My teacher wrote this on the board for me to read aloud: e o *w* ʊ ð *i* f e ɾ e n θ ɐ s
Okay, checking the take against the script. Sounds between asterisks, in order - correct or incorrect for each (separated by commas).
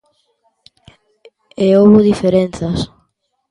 incorrect, correct